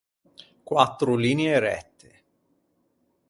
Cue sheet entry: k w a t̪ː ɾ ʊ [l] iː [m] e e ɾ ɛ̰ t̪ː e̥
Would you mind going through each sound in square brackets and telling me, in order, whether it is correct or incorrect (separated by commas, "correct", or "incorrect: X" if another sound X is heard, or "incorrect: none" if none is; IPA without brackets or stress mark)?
correct, incorrect: n